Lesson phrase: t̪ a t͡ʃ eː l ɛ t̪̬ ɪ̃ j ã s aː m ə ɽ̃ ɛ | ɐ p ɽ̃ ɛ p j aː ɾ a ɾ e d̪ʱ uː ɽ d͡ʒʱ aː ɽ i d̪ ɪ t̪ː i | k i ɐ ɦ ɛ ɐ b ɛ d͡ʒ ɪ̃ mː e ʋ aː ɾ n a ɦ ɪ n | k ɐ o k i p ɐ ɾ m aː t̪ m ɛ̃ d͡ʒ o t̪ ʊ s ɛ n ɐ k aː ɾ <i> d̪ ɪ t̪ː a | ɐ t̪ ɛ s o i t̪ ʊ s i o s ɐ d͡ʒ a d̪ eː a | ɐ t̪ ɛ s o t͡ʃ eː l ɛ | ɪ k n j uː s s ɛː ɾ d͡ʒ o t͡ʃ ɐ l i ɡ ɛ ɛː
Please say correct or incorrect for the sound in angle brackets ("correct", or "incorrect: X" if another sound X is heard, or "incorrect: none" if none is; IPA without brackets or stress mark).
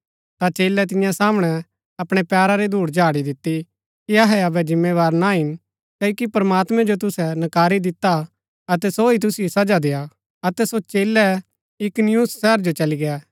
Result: correct